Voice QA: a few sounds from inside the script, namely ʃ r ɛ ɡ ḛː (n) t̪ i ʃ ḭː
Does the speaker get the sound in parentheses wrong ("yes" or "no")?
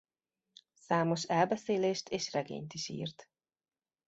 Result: yes